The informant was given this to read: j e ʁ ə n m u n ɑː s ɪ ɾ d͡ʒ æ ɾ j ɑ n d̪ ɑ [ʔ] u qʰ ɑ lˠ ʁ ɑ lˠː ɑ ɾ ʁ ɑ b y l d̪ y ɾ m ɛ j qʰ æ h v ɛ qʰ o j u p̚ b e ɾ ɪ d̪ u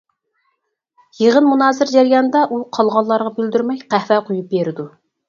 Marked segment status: correct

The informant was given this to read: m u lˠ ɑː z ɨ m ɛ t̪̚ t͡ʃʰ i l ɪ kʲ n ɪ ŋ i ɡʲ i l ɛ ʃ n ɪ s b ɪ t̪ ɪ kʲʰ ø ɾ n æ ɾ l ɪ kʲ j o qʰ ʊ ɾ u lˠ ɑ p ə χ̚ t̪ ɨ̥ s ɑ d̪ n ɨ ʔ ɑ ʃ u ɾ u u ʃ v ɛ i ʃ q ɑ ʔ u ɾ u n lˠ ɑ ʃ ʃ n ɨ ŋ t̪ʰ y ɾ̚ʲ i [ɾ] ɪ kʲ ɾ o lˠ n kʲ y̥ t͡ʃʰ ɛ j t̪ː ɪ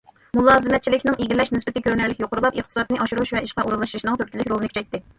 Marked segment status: incorrect: l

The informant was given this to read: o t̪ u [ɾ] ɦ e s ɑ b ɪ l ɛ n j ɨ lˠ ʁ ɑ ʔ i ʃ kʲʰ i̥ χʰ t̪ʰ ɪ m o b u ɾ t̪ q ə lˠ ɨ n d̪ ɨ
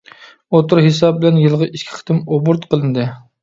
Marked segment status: correct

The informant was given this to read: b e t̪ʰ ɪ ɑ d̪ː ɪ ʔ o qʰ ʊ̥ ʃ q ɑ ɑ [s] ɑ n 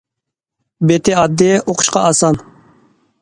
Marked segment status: correct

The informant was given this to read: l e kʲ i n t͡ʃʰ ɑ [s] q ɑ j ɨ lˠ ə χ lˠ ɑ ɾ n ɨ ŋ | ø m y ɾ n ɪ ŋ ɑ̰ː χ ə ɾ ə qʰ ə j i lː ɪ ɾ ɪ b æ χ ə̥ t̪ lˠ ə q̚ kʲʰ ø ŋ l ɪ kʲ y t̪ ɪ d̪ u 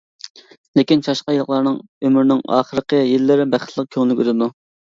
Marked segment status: incorrect: ʃ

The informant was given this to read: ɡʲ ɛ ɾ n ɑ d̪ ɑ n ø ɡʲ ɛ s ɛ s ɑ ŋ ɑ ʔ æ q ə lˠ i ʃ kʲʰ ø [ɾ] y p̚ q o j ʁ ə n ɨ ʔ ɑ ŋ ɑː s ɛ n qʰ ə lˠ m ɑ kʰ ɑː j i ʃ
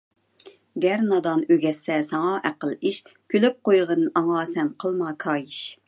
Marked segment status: incorrect: l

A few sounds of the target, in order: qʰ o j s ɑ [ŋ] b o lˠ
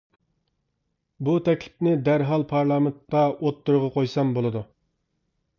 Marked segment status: incorrect: m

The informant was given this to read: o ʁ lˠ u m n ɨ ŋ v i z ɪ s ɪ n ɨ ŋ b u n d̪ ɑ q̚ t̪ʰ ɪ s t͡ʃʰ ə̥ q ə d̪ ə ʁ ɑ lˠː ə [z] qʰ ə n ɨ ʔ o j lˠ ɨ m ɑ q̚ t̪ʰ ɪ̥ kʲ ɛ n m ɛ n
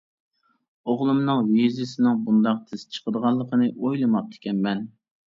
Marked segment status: incorrect: none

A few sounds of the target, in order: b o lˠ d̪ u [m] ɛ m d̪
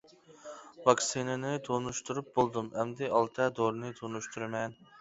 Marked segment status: correct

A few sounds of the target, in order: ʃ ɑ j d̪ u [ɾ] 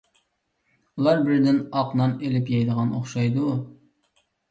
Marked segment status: incorrect: none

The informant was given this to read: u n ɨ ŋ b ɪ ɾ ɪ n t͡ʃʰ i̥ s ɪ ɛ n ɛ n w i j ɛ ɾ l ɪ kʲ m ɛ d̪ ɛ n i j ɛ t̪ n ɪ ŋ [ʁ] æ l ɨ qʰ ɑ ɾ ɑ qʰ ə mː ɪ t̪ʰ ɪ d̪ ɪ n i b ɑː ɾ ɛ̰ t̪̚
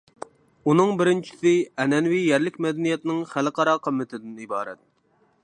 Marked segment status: incorrect: χ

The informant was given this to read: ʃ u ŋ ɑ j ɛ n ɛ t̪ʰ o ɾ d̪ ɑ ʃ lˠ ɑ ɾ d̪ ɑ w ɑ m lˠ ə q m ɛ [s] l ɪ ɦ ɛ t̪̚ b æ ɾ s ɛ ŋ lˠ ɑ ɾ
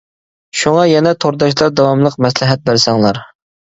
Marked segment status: correct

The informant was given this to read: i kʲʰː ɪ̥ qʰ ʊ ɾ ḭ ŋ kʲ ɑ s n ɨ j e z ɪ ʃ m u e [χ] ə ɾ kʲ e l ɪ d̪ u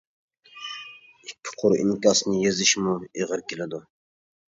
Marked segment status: incorrect: ʁ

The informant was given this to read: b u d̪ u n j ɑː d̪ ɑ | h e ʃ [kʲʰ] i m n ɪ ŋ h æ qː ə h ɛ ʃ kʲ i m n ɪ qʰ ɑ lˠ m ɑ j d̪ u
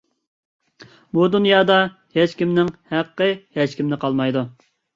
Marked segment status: incorrect: kʲ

